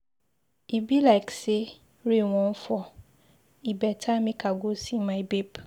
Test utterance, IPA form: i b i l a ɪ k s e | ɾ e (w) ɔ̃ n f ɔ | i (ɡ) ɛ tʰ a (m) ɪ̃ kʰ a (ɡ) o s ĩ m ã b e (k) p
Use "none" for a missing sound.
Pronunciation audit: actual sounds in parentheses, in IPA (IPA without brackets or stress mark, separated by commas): w, b, m, ɡ, none